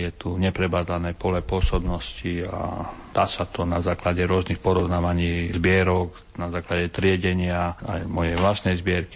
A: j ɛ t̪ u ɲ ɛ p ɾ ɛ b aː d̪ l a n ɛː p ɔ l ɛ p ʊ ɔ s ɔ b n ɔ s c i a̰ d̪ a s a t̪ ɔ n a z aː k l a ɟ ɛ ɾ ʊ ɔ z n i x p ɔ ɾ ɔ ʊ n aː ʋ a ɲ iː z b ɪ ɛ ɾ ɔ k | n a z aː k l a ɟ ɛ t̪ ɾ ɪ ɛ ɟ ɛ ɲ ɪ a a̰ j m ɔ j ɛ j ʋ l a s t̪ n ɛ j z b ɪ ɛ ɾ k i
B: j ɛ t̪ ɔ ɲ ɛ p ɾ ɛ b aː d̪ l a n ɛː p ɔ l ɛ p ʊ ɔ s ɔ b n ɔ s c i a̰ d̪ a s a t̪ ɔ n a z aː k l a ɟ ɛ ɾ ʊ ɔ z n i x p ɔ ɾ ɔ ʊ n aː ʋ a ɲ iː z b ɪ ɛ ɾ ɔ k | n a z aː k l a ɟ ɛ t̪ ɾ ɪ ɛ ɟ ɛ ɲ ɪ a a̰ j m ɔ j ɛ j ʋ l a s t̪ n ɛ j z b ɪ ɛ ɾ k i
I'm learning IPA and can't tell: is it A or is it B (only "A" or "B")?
A